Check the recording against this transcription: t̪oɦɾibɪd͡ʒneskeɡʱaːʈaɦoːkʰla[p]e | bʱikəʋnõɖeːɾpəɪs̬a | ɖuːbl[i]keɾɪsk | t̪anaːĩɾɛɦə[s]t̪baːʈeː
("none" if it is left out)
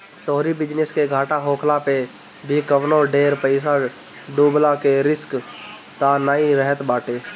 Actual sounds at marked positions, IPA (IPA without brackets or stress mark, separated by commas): p, a, none